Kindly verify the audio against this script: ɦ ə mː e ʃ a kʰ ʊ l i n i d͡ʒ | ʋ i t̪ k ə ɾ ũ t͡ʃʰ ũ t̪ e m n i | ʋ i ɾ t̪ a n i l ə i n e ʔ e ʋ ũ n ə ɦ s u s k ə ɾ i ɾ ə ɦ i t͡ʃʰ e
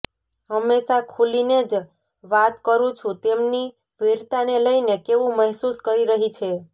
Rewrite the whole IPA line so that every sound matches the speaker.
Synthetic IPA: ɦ ə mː e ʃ a kʰ u l i n e d͡ʒ | ʋ a t̪ k ə ɾ ũ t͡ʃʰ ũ t̪ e m n i | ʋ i ɾ t̪ a n e l ə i n e k e ʋ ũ m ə ɦ s u s k ə ɾ i ɾ ə ɦ i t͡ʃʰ e

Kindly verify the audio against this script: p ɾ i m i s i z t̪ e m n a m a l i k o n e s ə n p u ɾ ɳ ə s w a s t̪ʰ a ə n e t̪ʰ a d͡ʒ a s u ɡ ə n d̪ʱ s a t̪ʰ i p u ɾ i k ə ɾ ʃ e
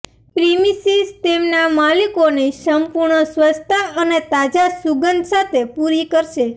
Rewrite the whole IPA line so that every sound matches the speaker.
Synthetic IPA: p ɾ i m i s i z t̪ e m n a m a l i k o n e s ə m p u ɾ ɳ ə s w ə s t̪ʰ a ə n e t̪ a d͡ʒ a s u ɡ ə n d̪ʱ s a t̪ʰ e p u ɾ i k ə ɾ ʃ e

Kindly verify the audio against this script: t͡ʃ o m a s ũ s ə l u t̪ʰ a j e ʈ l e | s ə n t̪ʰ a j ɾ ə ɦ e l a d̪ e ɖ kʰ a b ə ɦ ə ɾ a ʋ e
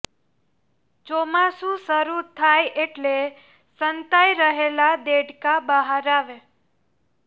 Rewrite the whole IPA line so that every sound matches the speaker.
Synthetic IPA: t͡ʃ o m a s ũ s ə ɾ u t̪ʰ a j e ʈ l e | s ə n t̪ a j ɾ ə ɦ e l a d̪ e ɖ k a b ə ɦ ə ɾ a ʋ e

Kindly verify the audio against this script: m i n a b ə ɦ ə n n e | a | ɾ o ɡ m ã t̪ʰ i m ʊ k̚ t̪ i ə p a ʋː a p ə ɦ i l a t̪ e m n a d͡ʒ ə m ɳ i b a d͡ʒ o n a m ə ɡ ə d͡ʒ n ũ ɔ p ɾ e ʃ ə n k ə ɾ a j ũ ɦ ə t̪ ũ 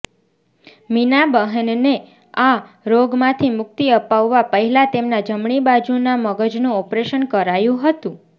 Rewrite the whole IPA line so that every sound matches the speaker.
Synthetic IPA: m i n a b ə ɦ ə n n e | a | ɾ o ɡ m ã t̪ʰ i m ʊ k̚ t̪ i ə p a ʋː a p ə ɦ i l a t̪ e m n a d͡ʒ ə m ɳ i b a d͡ʒ u n a m ə ɡ ə d͡ʒ n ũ ɔ p ɾ e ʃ ə n k ə ɾ a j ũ ɦ ə t̪ ũ

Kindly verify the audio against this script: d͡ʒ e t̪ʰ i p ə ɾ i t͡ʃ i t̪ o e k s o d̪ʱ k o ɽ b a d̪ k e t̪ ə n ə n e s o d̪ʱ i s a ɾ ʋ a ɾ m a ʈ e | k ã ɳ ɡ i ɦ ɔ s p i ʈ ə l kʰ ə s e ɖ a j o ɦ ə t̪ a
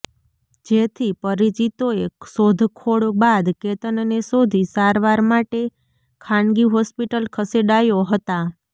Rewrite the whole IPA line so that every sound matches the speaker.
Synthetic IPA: d͡ʒ e t̪ʰ i p ə ɾ i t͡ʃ i t̪ o e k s o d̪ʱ kʰ o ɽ b a d̪ k e t̪ ə n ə n e s o d̪ʱ i s a ɾ ʋ a ɾ m a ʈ e | kʰ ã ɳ ɡ i ɦ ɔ s p i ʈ ə l kʰ ə s e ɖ a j o ɦ ə t̪ a

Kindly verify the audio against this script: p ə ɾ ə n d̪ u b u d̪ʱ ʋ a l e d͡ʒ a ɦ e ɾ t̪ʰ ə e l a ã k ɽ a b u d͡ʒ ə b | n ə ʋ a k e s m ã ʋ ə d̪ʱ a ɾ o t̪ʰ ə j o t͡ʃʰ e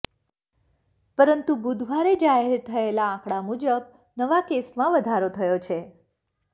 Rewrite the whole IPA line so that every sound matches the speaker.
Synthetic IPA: p ə ɾ ə n t̪ u b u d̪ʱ ʋ a ɾ e d͡ʒ a ɦ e ɾ t̪ʰ ə e l a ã k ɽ a m u d͡ʒ ə b | n ə ʋ a k e s m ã ʋ ə d̪ʱ a ɾ o t̪ʰ ə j o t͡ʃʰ e

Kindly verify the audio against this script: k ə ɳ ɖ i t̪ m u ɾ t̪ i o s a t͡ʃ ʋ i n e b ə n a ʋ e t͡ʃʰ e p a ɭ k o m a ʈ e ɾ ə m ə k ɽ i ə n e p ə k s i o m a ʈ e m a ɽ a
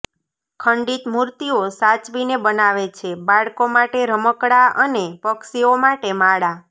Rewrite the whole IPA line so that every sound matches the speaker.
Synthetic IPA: kʰ ə ɳ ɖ i t̪ m u ɾ t̪ i o s a t͡ʃ ʋ i n e b ə n a ʋ e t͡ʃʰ e b a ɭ k o m a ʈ e ɾ ə m ə k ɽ a ə n e p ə k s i o m a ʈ e m a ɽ a

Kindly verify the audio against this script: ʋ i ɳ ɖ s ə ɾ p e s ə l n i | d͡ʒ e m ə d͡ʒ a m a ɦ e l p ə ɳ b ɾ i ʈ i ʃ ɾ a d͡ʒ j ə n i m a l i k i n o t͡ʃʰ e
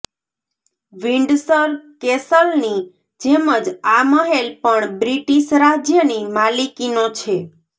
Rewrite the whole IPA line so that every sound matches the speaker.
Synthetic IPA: ʋ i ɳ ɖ s ə ɾ k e s ə l n i | d͡ʒ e m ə d͡ʒ a m ə ɦ e l p ə ɳ b ɾ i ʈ i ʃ ɾ a d͡ʒ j ə n i m a l i k i n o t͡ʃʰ e

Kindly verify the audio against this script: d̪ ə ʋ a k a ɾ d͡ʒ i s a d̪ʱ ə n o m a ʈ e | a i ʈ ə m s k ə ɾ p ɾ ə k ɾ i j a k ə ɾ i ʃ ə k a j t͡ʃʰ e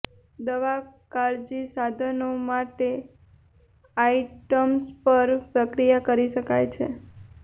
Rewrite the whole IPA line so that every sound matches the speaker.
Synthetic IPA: d̪ ə ʋ a k a ɾ d͡ʒ i s a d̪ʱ ə n o m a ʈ e | a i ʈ ə m s p ə ɾ p ɾ ə k ɾ i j a k ə ɾ i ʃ ə k a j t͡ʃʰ e

